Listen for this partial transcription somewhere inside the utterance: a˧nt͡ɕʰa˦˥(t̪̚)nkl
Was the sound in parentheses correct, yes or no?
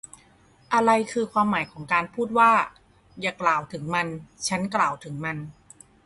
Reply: no